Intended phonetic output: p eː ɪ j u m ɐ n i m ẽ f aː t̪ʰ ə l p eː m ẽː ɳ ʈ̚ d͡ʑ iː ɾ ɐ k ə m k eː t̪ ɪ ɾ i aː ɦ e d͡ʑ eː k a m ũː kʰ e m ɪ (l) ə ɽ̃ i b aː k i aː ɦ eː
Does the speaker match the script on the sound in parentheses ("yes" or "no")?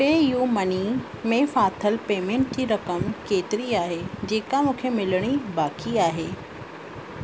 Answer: yes